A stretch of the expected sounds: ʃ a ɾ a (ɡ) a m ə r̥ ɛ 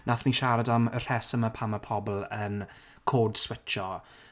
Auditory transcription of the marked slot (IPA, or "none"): d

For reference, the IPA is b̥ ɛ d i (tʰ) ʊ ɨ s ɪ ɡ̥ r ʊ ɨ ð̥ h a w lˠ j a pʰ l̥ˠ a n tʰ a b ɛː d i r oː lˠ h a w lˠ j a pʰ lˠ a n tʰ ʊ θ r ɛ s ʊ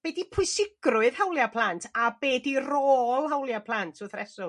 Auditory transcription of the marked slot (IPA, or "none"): pʰ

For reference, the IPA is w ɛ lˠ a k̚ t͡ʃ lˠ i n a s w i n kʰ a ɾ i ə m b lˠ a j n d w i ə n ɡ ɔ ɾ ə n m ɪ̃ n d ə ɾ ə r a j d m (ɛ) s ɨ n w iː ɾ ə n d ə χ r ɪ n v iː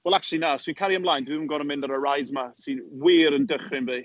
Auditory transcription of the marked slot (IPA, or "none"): a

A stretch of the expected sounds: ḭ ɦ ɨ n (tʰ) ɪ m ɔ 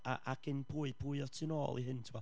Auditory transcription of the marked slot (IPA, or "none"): tʰ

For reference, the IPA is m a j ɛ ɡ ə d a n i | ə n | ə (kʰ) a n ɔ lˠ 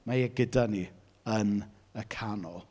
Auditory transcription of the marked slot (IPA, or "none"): kʰ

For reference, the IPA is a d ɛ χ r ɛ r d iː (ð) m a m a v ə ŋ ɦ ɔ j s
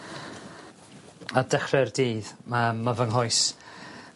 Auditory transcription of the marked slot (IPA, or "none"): ð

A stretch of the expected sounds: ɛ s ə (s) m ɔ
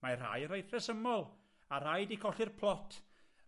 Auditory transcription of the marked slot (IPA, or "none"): none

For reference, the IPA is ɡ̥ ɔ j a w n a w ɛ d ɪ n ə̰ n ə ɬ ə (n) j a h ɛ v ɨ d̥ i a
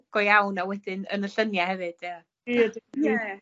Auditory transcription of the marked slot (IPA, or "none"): n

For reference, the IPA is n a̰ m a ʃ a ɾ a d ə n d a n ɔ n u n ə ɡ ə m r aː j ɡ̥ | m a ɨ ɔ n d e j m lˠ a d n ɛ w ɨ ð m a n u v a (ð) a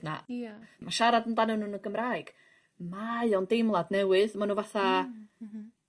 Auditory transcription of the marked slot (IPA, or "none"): θ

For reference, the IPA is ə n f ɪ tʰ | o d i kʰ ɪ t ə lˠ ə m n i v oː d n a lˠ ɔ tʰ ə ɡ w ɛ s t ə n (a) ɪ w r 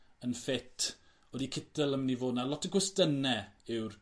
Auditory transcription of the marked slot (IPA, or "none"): ɛ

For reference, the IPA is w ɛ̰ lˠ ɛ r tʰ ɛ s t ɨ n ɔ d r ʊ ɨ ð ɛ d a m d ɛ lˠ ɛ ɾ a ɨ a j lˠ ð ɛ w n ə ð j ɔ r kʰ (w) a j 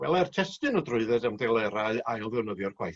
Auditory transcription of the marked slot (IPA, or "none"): w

